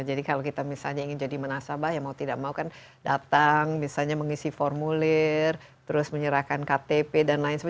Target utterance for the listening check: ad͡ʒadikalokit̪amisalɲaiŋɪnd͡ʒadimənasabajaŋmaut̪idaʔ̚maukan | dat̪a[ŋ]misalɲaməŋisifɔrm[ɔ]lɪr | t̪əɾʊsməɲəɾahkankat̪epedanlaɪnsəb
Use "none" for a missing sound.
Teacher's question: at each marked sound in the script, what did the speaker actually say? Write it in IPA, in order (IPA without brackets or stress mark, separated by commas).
ŋ, u